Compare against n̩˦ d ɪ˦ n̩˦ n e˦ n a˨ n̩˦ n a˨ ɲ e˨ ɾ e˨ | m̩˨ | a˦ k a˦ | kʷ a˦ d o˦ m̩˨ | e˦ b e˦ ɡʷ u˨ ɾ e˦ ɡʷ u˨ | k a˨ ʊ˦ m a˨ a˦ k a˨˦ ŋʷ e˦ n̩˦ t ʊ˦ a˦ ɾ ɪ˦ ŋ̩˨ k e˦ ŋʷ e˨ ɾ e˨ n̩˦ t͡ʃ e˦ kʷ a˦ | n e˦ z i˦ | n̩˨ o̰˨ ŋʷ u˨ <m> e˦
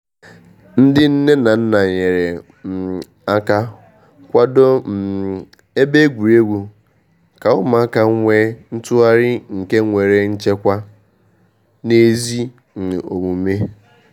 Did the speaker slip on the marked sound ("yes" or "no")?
no